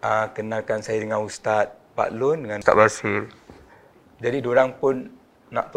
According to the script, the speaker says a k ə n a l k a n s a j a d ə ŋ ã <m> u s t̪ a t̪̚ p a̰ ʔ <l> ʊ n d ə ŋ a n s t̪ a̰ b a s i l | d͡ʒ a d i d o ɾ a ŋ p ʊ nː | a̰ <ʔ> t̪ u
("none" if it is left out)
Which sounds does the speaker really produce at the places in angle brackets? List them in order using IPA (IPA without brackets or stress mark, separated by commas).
n, l, ʔ